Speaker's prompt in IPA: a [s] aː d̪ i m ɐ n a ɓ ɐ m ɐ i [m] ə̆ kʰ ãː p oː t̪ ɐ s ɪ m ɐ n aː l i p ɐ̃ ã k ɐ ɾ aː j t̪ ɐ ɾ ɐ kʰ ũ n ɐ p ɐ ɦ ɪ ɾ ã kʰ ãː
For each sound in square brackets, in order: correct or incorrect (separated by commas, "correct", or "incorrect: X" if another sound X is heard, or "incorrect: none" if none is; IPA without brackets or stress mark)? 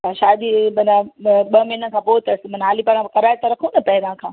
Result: incorrect: ʃ, incorrect: n